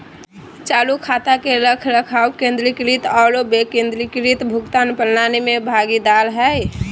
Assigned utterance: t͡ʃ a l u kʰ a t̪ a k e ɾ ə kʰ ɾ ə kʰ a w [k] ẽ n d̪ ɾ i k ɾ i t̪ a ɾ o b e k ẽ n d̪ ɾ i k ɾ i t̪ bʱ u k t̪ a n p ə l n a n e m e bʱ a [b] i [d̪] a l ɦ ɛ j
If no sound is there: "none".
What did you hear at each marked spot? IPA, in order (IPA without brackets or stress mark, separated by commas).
k, ɡ, d̪